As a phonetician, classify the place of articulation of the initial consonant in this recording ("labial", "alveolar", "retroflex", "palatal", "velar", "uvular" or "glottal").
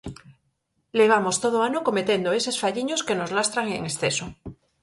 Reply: alveolar